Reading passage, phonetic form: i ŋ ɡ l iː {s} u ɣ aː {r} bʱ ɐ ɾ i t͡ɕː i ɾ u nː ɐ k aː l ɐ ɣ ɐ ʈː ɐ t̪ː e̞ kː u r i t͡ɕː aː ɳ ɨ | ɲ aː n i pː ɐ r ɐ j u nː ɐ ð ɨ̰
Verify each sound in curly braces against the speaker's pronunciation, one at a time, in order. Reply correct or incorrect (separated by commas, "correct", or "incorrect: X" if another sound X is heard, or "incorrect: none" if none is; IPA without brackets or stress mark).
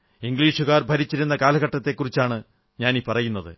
incorrect: ʂ, correct